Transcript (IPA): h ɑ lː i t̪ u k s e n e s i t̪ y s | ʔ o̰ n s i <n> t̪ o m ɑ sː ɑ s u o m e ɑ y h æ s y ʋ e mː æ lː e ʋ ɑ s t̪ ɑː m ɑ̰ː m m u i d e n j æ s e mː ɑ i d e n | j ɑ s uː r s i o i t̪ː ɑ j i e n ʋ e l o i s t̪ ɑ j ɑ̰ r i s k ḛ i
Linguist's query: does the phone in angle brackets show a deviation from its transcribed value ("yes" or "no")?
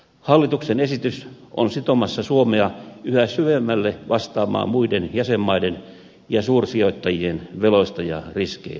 yes